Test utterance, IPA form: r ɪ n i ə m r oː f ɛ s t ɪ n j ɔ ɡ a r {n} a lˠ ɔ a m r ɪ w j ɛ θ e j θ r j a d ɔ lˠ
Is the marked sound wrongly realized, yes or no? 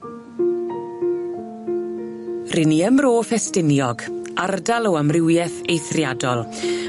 yes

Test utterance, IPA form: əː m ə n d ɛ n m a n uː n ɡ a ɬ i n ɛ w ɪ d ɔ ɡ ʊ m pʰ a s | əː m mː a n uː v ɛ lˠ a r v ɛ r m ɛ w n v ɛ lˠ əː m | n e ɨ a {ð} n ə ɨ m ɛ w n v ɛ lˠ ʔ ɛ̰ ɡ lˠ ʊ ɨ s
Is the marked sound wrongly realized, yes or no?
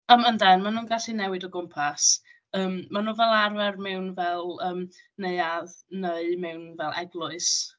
no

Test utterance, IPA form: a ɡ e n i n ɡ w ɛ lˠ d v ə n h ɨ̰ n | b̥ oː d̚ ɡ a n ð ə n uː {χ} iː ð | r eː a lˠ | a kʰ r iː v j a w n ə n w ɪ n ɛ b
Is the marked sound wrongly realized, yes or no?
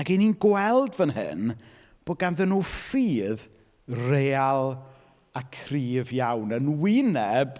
yes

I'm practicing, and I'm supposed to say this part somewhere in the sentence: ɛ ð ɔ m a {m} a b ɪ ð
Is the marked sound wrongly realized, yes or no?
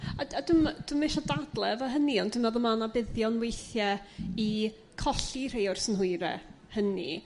yes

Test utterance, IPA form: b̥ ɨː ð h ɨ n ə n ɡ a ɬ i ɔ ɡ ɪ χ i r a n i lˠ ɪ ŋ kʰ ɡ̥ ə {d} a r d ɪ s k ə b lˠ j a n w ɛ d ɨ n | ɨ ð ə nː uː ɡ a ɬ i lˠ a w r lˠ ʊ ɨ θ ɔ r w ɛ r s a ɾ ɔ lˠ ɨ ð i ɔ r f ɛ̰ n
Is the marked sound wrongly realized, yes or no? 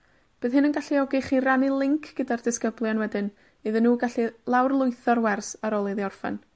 no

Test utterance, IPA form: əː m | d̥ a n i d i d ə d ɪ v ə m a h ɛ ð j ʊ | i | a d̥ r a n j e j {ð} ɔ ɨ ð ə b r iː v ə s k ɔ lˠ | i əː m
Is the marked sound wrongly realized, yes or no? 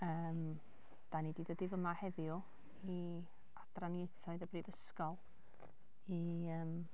yes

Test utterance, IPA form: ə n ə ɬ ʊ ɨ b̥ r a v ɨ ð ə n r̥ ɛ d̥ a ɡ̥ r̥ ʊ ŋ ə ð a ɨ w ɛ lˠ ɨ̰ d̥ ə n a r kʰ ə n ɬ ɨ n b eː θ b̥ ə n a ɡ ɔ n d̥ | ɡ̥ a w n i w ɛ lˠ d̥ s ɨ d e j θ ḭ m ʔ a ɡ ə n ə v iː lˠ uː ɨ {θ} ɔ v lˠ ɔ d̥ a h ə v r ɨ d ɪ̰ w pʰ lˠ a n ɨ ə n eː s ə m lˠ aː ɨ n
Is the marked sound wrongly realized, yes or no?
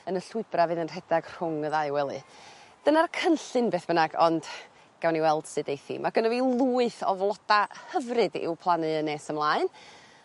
no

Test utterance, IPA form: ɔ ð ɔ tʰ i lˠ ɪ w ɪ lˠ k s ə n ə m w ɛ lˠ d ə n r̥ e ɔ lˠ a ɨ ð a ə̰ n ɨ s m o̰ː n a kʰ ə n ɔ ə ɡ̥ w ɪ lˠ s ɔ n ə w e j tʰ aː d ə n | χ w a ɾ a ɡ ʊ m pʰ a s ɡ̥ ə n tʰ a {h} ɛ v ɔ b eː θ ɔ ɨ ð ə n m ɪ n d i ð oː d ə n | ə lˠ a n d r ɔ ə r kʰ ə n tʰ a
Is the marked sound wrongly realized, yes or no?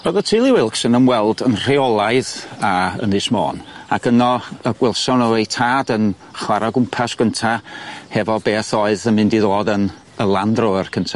no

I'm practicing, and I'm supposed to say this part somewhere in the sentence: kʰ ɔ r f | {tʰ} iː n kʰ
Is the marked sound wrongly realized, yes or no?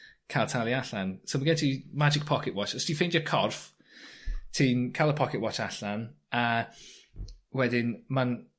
no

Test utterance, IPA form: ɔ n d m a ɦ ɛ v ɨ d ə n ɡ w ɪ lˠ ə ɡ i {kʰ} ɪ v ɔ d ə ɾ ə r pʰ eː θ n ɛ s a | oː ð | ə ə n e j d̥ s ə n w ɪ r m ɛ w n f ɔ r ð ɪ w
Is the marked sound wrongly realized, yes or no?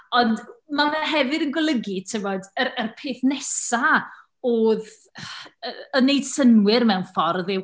yes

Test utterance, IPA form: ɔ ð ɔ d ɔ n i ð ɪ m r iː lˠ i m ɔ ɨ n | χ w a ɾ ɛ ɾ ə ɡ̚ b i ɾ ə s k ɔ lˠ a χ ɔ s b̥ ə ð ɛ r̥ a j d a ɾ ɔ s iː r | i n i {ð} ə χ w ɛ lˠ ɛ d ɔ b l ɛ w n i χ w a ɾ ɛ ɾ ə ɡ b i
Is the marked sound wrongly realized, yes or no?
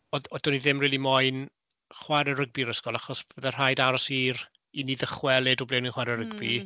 no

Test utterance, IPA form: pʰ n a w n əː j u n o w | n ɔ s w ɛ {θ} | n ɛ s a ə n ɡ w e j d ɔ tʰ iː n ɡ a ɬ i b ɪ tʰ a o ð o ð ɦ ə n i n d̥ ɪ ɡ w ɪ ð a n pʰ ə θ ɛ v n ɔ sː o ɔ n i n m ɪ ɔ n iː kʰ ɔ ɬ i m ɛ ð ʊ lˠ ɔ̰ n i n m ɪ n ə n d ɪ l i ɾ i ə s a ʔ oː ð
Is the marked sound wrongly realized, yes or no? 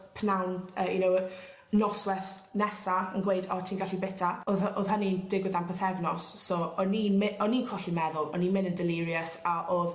no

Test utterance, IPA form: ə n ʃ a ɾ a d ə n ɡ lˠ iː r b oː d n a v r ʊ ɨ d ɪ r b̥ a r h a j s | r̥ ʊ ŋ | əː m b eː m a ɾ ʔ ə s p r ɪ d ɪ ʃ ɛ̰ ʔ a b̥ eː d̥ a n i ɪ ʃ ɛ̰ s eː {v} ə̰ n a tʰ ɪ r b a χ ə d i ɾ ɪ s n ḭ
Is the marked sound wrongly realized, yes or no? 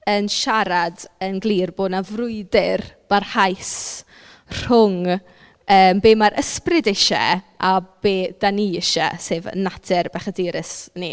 no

